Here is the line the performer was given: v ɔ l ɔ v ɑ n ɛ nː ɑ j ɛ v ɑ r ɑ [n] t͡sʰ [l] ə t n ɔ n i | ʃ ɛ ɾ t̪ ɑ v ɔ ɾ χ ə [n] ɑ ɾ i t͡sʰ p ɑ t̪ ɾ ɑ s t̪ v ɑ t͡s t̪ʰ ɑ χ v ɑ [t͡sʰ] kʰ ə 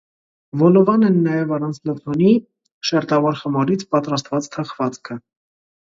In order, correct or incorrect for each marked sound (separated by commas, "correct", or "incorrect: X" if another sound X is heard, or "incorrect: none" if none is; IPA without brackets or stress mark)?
correct, correct, incorrect: m, incorrect: t͡s